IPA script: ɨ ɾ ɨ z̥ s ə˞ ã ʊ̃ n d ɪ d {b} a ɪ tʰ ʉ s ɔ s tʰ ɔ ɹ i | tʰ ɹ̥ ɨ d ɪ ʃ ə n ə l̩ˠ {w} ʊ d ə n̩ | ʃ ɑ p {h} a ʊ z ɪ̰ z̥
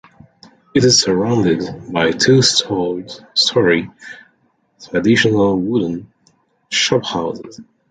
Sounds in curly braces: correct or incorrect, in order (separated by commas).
correct, correct, correct